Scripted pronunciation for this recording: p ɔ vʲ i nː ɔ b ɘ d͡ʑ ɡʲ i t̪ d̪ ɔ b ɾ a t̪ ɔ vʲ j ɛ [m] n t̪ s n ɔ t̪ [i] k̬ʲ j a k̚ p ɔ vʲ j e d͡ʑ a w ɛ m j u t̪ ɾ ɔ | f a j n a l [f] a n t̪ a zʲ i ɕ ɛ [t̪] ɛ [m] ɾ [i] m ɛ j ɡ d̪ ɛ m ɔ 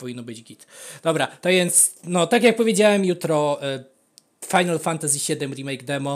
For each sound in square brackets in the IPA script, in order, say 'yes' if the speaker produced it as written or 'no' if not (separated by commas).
no, no, yes, no, yes, yes